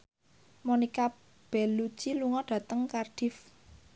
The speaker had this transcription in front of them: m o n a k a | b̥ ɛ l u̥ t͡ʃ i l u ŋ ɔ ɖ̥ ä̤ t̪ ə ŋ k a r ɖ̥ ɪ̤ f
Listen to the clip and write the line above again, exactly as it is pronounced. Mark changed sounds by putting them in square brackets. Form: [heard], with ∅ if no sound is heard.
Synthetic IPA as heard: m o n [i] k a | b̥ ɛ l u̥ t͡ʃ i l u ŋ ɔ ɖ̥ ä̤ t̪ ə ŋ k a r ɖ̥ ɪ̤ f